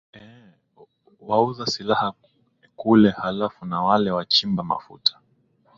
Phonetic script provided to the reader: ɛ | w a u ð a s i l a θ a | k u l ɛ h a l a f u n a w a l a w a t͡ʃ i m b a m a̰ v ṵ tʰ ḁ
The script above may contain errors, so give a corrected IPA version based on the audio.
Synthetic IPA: ɛ | w a u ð a s i l a h a | k u l ɛ h a l a f u n a w a l ɛ w a t͡ʃ i m b a m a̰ f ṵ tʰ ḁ